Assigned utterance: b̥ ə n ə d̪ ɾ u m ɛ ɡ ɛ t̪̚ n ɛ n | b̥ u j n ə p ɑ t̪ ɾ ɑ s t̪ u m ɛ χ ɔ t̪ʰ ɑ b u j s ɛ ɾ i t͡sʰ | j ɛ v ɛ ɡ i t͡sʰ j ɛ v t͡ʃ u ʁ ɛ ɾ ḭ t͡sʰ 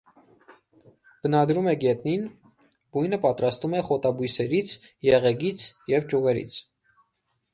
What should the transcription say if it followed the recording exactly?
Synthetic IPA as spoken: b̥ ə n ɑ d̪ ɾ u m ɛ ɡ ɛ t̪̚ n i n | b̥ u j n ə p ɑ t̪ ɾ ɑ s t̪ u m ɛ χ ɔ t̪ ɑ b u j s ɛ ɾ i t͡sʰ | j ɛ ʁ ɛ ɡ i t͡sʰ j ɛ v t͡ʃ u ʁ ɛ ɾ ḭ t͡sʰ

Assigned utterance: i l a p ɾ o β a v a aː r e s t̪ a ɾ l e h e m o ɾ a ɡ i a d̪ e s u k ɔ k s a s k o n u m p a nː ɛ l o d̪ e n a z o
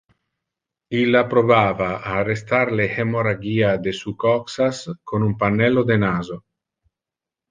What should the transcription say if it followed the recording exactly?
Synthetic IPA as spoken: i l a p ɾ o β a v a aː r e s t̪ a ɾ l e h e m o ɾ a ɡ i a d̪ e s u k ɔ k s a s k o n u m p a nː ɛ l o d̪ e n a z o

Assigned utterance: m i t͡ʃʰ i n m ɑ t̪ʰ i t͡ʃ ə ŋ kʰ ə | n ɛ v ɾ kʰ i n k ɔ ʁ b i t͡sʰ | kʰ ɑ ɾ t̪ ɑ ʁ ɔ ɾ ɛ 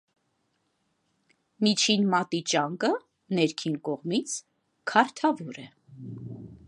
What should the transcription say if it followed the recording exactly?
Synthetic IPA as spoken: m i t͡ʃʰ i n m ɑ t̪ i t͡ʃ ɑ ŋ k ə | n ɛ ɾ kʰ i n k ɔ ʁ m i t͡sʰ | kʰ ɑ ɾ t̪ʰ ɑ v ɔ ɾ ɛ

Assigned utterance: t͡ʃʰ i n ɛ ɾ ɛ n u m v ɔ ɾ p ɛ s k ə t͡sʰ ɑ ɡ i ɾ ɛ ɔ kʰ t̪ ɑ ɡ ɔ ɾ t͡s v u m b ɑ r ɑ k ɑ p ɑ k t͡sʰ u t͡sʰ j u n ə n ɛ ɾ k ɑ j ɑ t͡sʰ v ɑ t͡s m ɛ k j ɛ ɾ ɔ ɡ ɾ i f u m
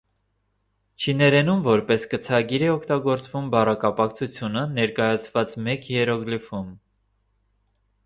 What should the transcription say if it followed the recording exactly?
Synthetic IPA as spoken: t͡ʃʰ i n ɛ ɾ ɛ n u m v ɔ ɾ p ɛ s k ə t͡sʰ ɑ ɡ i ɾ ɛ ɔ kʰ t̪ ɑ ɡ ɔ ɾ t͡s v u m b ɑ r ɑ k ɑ p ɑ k t͡sʰ u t͡sʰ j u n ə n ɛ ɾ k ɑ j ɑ t͡sʰ v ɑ t͡s m ɛ k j ɛ ɾ ɔ ɡ l i f u m

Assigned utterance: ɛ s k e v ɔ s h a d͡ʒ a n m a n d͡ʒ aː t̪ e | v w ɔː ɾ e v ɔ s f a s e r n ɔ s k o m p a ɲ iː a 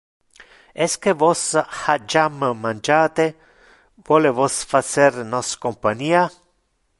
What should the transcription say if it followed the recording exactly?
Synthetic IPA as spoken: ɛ s k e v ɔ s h a d͡ʒ a m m a n d͡ʒ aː t̪ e | v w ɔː l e v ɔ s f a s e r n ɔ s k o m p a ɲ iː a

